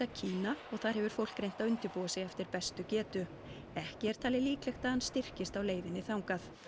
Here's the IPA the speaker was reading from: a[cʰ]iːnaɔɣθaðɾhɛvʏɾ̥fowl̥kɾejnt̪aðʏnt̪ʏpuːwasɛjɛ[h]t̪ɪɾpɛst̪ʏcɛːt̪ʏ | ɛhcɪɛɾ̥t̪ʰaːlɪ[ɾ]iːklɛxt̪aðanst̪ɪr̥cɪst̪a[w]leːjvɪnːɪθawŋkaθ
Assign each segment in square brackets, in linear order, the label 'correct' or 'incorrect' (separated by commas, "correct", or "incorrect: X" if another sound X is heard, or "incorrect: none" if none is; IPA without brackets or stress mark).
correct, incorrect: f, incorrect: l, correct